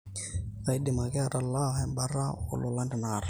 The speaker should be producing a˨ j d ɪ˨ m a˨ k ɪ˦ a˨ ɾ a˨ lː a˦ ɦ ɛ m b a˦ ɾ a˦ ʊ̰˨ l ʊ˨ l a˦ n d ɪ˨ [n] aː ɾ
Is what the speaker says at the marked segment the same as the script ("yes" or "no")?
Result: yes